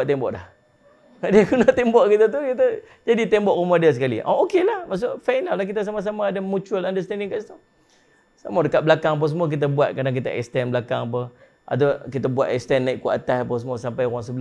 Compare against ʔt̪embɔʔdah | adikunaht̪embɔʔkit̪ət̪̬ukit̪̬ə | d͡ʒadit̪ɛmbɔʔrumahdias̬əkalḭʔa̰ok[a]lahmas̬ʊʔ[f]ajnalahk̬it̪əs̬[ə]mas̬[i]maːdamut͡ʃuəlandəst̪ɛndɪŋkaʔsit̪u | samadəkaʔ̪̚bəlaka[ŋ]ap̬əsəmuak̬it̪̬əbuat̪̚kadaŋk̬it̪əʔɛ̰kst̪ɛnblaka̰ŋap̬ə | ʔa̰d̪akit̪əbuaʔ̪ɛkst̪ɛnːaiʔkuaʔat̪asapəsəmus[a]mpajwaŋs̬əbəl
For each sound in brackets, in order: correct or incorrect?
incorrect, correct, incorrect, incorrect, correct, correct

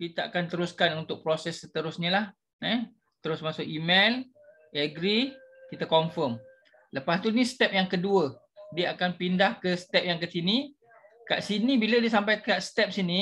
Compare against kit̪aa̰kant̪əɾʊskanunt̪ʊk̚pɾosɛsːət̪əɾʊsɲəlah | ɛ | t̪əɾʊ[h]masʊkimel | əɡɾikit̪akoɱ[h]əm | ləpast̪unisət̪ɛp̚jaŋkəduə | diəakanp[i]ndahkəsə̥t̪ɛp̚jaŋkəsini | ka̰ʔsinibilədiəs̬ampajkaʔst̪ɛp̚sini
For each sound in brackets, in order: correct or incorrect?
incorrect, incorrect, correct

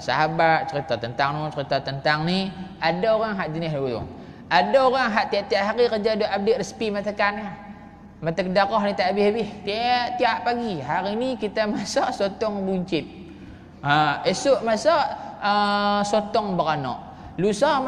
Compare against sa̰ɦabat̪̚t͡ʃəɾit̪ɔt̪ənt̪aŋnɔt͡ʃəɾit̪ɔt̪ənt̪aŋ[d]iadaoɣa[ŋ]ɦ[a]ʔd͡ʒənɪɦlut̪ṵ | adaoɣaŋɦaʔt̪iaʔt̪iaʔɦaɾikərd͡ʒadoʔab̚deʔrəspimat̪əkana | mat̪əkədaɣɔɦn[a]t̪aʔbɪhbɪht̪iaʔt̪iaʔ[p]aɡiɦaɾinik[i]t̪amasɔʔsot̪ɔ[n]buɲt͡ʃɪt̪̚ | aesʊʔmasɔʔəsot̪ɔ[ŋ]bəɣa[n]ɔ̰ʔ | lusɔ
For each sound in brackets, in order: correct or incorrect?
incorrect, correct, correct, incorrect, correct, correct, incorrect, correct, correct

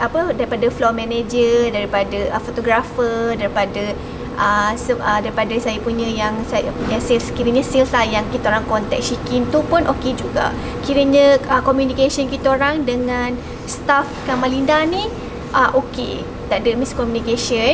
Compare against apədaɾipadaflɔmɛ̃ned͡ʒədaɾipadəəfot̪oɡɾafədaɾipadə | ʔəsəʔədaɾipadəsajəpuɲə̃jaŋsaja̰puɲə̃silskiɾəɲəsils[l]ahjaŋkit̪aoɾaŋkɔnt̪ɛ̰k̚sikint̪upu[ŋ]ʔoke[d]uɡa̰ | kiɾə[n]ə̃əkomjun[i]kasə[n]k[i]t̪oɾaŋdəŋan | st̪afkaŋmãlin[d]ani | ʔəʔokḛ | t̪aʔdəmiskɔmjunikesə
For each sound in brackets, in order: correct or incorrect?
correct, incorrect, incorrect, incorrect, correct, correct, correct, correct

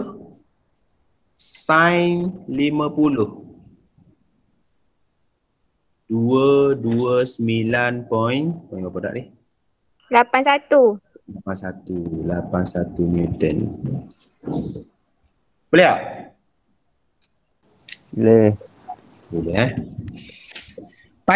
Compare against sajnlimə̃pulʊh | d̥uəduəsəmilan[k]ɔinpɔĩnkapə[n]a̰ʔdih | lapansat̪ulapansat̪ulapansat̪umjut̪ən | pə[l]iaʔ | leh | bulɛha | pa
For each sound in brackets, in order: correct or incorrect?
incorrect, incorrect, correct

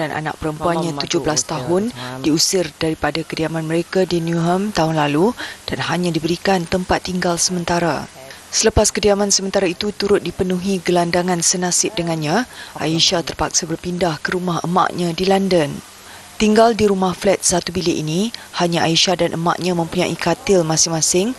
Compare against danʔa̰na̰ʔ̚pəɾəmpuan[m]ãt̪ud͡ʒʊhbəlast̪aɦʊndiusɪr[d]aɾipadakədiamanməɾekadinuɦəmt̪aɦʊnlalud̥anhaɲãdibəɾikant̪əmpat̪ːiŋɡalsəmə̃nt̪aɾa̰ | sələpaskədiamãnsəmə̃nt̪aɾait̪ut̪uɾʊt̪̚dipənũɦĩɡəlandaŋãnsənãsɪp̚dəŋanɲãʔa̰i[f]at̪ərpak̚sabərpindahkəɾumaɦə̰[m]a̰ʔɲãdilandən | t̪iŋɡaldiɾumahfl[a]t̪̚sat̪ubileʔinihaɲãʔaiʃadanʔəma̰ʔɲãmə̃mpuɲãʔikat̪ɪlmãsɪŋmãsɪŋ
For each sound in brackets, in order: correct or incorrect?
incorrect, correct, incorrect, correct, incorrect

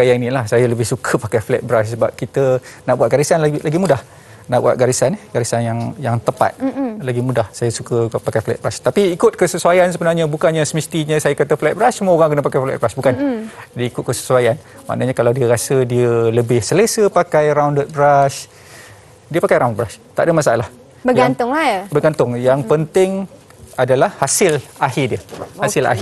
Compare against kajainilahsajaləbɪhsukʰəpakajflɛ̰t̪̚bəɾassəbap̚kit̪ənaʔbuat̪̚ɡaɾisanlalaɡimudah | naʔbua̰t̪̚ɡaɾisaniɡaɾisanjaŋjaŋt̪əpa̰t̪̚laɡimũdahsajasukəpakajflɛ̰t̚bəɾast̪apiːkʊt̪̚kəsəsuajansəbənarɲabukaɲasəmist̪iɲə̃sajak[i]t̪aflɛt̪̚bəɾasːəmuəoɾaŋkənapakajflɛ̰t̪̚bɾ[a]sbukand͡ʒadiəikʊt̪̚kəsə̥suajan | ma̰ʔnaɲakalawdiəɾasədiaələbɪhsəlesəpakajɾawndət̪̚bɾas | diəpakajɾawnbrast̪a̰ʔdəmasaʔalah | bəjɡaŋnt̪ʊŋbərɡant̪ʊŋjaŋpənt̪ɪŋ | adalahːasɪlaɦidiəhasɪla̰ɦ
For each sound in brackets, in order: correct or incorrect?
incorrect, correct

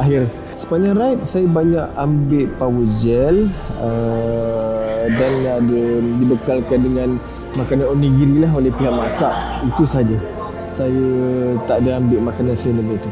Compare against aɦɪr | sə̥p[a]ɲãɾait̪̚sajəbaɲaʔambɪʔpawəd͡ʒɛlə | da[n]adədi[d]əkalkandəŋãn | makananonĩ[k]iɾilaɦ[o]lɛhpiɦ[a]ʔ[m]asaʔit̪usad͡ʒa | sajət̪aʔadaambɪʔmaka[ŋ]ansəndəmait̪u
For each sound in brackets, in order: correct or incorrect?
correct, correct, incorrect, incorrect, correct, correct, correct, incorrect

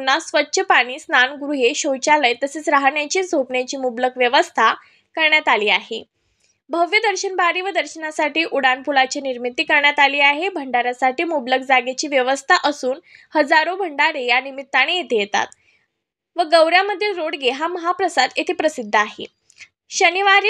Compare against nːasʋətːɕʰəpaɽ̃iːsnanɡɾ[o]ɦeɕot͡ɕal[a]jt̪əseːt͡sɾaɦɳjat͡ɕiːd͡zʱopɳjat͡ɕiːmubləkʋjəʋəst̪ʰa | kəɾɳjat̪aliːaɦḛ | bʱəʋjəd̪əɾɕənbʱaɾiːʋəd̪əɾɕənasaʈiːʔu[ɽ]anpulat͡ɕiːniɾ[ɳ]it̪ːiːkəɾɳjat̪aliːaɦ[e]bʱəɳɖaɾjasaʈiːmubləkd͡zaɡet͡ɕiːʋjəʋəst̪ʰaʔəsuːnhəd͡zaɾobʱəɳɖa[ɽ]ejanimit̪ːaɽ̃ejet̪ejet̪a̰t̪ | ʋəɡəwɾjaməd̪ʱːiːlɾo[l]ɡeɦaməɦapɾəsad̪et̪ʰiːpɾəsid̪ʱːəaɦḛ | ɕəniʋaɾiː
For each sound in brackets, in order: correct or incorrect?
incorrect, incorrect, correct, incorrect, correct, incorrect, incorrect

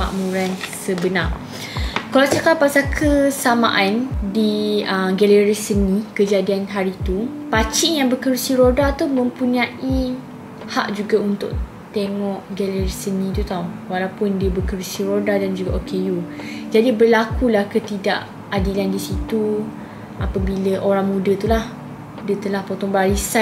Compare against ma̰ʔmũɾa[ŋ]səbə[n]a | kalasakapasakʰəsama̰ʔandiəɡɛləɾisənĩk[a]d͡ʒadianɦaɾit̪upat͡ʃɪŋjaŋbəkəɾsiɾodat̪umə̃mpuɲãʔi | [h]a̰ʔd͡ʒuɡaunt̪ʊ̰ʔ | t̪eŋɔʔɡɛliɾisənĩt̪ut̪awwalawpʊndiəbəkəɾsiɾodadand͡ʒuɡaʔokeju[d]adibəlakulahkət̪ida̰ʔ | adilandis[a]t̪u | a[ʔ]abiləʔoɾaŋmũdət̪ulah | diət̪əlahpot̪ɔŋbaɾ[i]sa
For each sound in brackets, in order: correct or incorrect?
incorrect, correct, incorrect, correct, incorrect, incorrect, incorrect, correct

